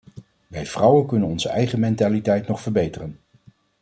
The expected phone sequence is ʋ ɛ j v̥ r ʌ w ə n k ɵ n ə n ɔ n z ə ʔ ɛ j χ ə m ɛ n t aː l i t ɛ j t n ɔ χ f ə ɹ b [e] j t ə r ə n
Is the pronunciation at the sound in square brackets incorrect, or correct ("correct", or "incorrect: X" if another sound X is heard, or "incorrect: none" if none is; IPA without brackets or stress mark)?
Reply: correct